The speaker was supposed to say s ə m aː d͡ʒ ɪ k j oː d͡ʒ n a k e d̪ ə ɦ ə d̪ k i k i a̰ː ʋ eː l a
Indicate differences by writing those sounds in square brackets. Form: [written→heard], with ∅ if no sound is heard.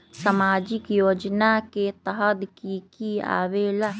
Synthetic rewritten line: s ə m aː d͡ʒ ɪ k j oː d͡ʒ n a k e [d̪→t̪] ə ɦ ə d̪ k i k i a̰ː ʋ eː l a